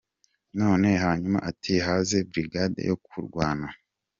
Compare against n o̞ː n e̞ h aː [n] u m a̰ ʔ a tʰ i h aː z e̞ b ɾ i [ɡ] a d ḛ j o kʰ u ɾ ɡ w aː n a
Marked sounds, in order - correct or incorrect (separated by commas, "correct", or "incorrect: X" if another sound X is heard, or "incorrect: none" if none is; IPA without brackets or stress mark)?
incorrect: ɲ, correct